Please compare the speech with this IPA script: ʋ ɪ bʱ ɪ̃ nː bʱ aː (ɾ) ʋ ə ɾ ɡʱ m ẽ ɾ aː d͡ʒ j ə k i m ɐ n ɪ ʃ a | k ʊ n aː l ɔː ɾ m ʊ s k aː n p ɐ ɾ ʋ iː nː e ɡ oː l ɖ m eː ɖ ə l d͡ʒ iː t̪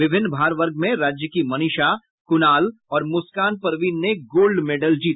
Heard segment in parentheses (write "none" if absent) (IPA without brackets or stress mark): ɾ